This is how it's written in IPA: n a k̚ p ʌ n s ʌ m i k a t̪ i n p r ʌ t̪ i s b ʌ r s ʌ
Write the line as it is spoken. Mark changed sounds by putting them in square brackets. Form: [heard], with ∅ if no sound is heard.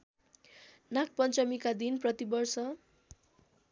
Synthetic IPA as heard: n a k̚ p ʌ n [t͡s] ʌ m i k a [d̪] i n p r ʌ t̪ i [∅] b ʌ r s ʌ